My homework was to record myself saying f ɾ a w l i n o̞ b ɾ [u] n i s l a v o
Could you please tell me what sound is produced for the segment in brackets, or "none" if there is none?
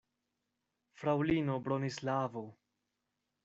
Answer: o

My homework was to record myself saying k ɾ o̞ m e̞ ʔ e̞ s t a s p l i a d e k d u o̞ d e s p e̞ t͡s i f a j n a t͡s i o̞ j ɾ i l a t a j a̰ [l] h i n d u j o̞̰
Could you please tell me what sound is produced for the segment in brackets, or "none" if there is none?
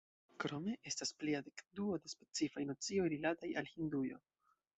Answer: l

